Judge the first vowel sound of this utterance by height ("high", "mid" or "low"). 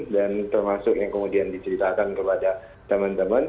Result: low